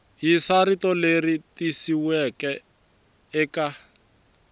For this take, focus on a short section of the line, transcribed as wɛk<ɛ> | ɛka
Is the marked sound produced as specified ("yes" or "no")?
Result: yes